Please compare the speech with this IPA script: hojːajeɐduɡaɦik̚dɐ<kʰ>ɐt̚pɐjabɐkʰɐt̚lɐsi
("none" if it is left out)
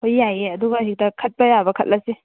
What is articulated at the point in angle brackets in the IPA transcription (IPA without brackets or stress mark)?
kʰ